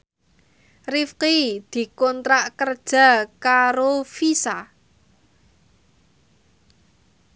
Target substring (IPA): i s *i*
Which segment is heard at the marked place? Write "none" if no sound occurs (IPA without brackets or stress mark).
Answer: a